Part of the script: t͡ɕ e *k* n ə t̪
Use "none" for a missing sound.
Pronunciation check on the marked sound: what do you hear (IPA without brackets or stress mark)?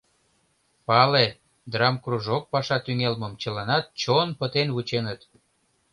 none